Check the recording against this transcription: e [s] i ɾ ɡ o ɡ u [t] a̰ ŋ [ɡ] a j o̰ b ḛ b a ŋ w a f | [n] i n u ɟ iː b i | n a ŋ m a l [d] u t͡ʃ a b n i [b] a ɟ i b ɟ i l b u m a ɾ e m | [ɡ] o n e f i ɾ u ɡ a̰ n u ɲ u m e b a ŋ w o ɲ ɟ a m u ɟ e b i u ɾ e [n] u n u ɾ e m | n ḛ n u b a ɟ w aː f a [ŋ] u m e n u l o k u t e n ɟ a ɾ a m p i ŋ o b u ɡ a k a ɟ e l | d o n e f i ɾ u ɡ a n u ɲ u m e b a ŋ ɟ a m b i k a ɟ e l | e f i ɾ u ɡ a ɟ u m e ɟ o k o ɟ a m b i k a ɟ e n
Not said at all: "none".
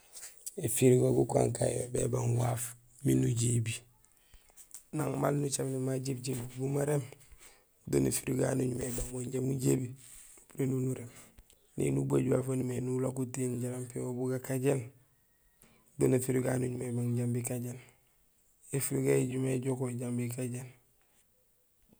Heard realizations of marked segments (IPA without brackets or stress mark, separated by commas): f, k, k, m, n, m, d, n, n